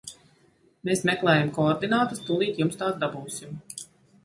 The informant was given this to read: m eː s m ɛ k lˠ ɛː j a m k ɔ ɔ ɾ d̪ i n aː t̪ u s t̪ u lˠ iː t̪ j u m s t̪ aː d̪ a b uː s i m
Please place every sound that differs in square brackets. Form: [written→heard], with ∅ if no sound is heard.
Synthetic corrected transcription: m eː s m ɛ k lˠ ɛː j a m k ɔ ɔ ɾ d̪ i n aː t̪ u s t̪ u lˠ iː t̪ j u m s t̪ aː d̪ a b uː s i m